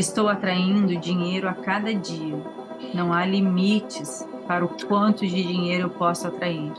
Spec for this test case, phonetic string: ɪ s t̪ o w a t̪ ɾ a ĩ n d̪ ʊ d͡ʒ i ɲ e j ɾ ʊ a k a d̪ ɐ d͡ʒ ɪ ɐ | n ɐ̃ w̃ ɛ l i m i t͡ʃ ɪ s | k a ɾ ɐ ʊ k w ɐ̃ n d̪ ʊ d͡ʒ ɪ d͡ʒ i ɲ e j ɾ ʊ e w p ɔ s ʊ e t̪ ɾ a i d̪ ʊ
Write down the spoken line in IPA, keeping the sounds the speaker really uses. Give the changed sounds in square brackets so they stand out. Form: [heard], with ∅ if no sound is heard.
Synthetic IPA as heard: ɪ s t̪ o w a t̪ ɾ a ĩ n d̪ ʊ d͡ʒ i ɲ e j ɾ ʊ a k a d̪ ɐ d͡ʒ [i] ɐ | n ɐ̃ w̃ [a] l i m i t͡ʃ ɪ s | [p] a ɾ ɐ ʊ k w ɐ̃ n [t̪] ʊ d͡ʒ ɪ d͡ʒ i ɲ e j ɾ ʊ e w p ɔ s ʊ [a] t̪ ɾ a i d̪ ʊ